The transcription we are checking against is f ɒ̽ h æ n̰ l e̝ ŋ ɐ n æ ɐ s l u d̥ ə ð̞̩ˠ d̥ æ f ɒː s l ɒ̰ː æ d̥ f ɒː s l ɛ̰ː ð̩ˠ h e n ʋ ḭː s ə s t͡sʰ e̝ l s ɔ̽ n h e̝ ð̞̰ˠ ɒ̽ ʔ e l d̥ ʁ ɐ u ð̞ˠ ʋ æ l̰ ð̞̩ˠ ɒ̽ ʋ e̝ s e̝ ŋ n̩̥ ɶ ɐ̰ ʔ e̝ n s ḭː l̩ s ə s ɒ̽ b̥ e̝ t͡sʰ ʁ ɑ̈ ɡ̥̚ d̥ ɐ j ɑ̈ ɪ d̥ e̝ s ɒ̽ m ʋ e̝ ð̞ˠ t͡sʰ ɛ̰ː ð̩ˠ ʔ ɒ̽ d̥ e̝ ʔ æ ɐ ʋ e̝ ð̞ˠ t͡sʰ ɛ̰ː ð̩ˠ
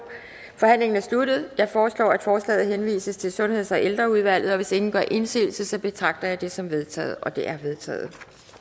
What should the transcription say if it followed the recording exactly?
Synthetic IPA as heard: f ɒ̽ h æ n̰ l e̝ ŋ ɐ n æ ɐ s l u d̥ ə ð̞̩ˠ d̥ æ f ɒː s l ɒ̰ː æ d̥ f ɒː s l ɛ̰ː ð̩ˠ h e n ʋ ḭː s ə s t͡sʰ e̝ l s ɔ̽ n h e̝ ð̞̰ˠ ɒ̽ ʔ e l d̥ ʁ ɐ u ð̞ˠ ʋ æ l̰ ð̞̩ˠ ɒ̽ ʋ e̝ s e̝ ŋ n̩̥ ɶ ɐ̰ ʔ e̝ n s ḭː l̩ s ə s ɒ̽ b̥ e̝ t͡sʰ ʁ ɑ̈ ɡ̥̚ d̥ ɐ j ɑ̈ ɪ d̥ e̝ s ɒ̽ m ʋ e̝ ð̞ˠ t͡sʰ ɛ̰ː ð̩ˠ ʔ ɒ̽ d̥ e̝ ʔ æ ɐ ʋ e̝ ð̞ˠ t͡sʰ ɛ̰ː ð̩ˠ